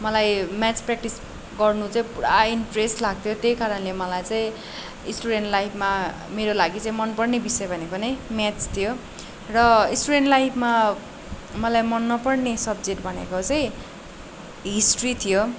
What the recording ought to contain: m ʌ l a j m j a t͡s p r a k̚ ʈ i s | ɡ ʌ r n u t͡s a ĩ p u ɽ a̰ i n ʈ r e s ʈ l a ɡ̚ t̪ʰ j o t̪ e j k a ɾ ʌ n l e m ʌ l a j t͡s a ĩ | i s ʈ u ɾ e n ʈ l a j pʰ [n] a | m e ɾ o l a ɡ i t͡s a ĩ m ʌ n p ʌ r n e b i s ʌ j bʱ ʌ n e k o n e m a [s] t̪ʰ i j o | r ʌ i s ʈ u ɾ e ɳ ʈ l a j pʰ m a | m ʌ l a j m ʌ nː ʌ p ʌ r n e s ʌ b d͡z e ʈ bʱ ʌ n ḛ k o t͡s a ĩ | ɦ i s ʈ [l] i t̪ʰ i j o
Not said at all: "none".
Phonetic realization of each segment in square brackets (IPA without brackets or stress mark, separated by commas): m, t͡s, r